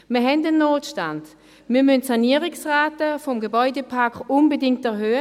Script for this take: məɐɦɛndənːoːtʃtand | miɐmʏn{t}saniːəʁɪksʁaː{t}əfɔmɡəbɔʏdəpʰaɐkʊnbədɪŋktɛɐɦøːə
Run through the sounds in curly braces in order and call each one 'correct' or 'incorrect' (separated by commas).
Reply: correct, correct